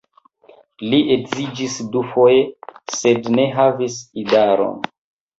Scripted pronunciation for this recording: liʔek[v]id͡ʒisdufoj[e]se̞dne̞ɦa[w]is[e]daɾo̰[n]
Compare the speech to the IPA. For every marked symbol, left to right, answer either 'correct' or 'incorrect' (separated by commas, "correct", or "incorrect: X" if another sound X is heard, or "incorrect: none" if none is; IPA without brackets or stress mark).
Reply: incorrect: z, correct, incorrect: v, incorrect: i, correct